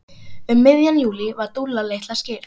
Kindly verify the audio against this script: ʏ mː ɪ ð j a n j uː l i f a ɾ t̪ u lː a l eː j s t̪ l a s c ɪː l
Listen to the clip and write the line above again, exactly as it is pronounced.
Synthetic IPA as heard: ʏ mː ɪ ð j a n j uː l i v a ɾ t̪ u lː a l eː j h t̪ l a s c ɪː ɾ